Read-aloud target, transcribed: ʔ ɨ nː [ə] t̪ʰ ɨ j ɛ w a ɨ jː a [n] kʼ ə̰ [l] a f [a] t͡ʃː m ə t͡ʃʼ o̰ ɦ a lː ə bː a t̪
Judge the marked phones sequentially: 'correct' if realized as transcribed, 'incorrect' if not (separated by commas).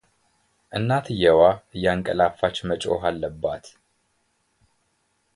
incorrect, incorrect, correct, correct